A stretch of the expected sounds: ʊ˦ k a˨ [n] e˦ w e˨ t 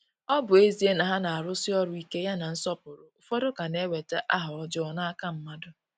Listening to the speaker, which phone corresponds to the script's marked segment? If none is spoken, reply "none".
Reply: n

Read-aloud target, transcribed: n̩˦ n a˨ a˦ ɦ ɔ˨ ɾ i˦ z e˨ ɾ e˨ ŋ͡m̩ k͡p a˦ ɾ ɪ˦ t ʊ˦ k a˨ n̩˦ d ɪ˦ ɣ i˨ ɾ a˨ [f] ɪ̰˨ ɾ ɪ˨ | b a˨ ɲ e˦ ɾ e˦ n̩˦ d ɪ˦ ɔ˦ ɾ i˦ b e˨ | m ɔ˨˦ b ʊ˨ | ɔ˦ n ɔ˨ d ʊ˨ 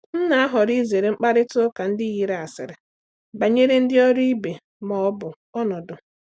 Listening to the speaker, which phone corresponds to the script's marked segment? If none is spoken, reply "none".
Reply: s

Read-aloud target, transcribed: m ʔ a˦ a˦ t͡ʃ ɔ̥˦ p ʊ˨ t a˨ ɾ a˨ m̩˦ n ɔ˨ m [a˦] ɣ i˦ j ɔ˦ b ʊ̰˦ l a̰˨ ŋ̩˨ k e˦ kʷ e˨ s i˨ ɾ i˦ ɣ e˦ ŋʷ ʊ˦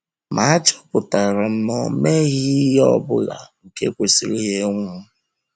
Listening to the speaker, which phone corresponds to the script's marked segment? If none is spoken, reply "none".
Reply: e˦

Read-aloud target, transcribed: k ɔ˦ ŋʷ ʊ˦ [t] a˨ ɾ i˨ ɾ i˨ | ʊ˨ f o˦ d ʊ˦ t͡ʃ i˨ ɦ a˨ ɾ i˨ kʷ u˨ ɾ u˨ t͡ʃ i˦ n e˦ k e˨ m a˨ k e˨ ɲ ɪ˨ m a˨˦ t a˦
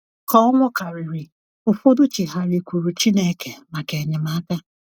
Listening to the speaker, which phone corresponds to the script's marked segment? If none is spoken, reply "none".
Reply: k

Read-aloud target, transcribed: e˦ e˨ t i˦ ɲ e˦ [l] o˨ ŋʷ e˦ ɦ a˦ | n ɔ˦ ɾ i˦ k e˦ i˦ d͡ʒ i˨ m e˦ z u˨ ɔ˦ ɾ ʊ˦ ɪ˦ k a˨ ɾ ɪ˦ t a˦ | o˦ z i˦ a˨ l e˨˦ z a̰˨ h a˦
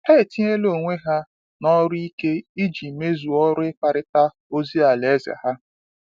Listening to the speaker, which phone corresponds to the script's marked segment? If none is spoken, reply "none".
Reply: l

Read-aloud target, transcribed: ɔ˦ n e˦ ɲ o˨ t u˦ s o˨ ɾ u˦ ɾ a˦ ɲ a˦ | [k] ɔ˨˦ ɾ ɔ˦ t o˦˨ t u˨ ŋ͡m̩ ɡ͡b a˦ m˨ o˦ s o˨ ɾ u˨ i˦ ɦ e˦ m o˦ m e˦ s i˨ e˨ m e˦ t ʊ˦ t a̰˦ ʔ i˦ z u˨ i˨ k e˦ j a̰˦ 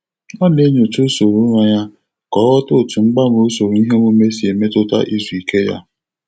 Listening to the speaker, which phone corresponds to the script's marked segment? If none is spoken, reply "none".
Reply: k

